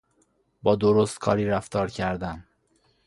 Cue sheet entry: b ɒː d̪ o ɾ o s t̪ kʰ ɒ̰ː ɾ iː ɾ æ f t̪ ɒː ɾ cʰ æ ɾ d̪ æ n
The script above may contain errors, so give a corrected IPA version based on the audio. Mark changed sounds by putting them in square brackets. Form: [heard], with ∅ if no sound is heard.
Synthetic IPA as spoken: b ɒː d̪ o ɾ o s t̪ kʰ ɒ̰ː ɾ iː ɾ æ f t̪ ɒː ɾ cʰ æ ɾ d̪ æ n